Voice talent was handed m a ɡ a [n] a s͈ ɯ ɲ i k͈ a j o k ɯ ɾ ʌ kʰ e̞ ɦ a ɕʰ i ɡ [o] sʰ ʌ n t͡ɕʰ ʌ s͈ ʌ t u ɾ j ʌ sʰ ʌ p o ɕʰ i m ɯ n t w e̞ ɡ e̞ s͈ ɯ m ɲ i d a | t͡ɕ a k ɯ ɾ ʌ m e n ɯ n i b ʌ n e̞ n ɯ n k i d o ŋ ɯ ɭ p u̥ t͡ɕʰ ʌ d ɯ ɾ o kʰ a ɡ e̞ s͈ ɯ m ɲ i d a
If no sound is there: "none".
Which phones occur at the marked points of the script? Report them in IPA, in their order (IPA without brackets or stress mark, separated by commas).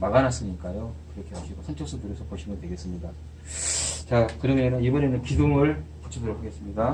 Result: n, o